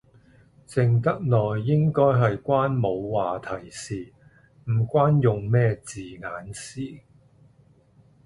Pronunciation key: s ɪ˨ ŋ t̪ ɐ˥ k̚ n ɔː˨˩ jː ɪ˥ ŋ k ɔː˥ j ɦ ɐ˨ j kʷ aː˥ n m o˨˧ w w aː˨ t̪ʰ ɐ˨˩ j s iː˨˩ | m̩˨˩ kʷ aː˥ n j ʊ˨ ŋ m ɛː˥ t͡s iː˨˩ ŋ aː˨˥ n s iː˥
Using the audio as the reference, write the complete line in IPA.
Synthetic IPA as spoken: t͡s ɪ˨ ŋ t̪ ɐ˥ k̚ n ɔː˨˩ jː ɪ˥ ŋ k ɔː˥ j ɦ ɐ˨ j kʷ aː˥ n m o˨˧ w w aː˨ t̪ʰ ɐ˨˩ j s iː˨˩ | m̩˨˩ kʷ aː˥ n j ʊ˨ ŋ m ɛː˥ t͡s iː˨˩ ŋ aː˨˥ n s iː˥